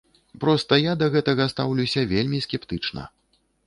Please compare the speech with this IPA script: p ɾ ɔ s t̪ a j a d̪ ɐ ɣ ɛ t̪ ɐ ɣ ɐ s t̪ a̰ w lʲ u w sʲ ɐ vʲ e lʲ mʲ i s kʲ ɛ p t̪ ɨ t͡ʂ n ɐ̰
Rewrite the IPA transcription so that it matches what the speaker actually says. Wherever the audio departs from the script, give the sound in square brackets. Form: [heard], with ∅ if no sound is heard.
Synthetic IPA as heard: p ɾ ɔ s t̪ [ɐ] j a d̪ ɐ ɣ ɛ t̪ ɐ ɣ ɐ s t̪ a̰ w lʲ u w sʲ ɐ vʲ e lʲ mʲ i s kʲ ɛ p t̪ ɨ t͡ʂ n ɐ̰